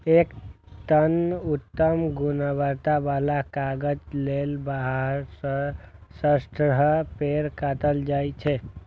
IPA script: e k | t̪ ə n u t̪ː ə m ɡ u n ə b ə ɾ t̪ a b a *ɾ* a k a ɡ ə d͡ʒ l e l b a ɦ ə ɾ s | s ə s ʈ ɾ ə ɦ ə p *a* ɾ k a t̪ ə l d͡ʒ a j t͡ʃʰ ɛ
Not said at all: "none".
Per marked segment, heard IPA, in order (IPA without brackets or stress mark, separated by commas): l, e